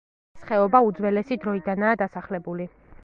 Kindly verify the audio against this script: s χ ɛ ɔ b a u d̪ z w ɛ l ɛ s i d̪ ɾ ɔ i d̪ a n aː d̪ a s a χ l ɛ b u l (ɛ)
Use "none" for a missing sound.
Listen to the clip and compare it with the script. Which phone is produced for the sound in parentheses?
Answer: i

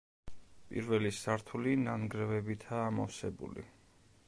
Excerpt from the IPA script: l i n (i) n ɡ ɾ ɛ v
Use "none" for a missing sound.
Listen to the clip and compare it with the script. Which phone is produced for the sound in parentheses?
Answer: a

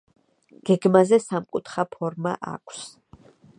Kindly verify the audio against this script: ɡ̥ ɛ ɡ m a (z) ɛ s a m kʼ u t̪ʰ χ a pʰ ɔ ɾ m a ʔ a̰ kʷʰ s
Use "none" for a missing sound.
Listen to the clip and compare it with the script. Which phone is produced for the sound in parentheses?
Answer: z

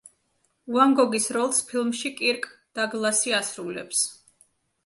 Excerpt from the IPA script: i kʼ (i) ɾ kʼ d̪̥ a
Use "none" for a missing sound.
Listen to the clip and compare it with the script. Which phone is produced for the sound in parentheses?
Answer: i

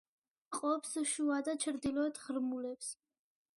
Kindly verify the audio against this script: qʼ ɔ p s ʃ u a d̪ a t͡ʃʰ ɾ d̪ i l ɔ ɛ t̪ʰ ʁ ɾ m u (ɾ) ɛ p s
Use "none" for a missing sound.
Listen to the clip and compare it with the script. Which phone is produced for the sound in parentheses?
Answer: l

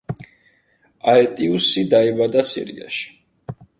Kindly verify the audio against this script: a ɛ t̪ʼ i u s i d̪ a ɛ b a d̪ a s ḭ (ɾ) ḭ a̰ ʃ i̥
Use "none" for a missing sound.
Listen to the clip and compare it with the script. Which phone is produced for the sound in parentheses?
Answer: ɾ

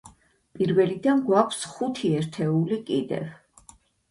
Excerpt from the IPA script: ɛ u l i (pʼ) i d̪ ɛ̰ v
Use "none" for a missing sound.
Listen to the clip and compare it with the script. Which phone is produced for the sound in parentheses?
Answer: kʼ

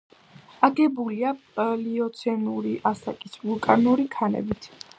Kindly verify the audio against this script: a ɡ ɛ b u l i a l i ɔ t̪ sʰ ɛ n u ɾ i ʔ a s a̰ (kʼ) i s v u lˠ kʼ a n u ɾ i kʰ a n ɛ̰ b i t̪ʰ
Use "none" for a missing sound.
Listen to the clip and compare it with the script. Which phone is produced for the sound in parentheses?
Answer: kʼ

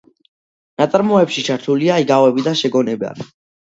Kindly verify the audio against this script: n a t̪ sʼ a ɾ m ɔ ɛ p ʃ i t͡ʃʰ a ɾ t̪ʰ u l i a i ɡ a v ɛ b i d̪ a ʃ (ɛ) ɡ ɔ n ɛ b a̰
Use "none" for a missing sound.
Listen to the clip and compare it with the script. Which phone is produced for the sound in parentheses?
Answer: ɛ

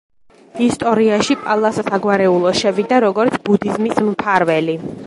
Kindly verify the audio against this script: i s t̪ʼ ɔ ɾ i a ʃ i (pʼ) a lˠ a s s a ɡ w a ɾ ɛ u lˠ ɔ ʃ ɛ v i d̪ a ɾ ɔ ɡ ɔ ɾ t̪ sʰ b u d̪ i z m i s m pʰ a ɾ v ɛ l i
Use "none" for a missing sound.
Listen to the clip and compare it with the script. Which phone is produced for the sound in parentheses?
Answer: pʼ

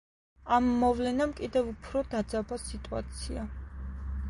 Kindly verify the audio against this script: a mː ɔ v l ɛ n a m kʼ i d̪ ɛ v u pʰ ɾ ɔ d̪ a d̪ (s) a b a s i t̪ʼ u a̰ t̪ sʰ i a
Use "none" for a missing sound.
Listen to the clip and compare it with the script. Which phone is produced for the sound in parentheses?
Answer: z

